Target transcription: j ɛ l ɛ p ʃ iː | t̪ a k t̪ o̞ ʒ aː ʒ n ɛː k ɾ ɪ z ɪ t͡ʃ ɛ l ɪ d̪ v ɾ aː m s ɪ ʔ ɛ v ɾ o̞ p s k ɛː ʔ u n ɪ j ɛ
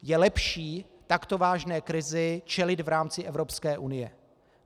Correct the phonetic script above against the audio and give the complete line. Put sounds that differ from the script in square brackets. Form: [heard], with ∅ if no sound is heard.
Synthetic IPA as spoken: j ɛ l ɛ p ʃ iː | t̪ a k t̪ o̞ [v] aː ʒ n ɛː k ɾ ɪ z ɪ t͡ʃ ɛ l ɪ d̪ v ɾ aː m [t͡s] ɪ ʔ ɛ v ɾ o̞ p s k ɛː ʔ u n ɪ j ɛ